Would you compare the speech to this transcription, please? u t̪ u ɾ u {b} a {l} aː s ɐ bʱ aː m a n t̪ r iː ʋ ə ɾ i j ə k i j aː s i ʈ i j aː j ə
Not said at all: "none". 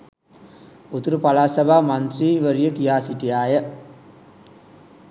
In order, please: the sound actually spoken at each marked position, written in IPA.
p, l

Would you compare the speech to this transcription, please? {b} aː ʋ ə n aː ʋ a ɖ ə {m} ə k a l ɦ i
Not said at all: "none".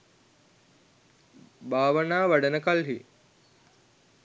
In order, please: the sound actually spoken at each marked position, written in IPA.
b, n

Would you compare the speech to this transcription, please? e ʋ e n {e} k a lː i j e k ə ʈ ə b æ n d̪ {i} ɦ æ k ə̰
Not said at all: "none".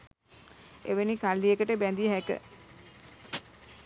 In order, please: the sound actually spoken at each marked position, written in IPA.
i, i

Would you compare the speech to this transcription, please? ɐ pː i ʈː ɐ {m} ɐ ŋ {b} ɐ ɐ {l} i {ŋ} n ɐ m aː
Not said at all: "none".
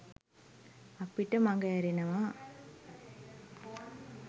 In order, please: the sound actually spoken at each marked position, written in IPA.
m, ɡ, ɾ, none

